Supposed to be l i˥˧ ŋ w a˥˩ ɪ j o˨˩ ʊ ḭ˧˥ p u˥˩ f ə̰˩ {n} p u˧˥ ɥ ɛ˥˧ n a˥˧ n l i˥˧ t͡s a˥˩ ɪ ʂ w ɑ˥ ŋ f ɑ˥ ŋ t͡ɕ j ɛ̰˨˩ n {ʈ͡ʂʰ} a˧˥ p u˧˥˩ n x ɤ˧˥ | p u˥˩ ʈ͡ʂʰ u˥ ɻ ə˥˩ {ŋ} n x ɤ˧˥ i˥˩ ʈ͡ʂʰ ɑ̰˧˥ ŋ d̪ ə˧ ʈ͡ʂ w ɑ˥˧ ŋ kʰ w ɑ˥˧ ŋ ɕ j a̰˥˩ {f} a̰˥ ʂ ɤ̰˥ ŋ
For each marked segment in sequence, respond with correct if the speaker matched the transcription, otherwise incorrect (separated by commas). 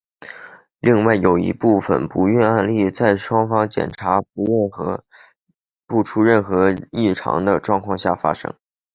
correct, correct, incorrect, correct